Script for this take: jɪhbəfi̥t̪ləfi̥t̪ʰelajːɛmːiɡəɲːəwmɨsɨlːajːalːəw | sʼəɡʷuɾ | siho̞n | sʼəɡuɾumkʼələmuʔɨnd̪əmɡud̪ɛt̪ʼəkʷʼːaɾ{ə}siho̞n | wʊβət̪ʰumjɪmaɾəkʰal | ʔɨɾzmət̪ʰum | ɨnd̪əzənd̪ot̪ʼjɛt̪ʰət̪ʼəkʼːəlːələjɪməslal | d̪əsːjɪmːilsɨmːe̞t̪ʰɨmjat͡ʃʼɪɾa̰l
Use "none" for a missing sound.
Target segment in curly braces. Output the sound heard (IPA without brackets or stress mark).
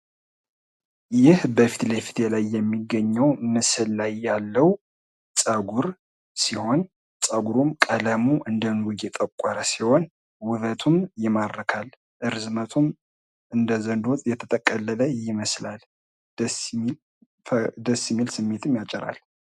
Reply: ə